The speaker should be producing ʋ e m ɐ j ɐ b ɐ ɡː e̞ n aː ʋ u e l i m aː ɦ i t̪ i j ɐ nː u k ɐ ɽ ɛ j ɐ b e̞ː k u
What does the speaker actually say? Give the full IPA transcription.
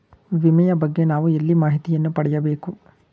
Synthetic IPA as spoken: ʋ i m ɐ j ɐ b ɐ ɡː e̞ n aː ʋ u e lː i m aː ɦ i t̪ i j ɐ nː u p ɐ ɽ ɛ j ɐ b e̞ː k u